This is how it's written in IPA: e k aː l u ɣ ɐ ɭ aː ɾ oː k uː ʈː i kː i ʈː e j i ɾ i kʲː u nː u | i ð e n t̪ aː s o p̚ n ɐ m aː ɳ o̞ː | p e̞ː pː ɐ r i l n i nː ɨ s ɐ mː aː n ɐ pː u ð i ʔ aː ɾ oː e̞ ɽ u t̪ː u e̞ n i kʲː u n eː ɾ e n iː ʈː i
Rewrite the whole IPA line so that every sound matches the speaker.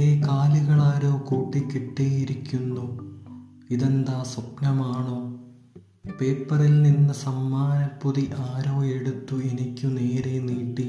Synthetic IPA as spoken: e k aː l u ɣ ɐ ɭ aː ɾ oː k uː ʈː i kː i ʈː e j i ɾ i kʲː u nː u | i ð e n d̪ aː s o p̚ n ɐ m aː ɳ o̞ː | p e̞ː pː ɐ r i l n i nː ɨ s ɐ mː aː n ɐ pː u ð i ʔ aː ɾ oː e̞ ɽ u t̪ː u e̞ n i kʲː u n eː ɾ e n iː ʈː i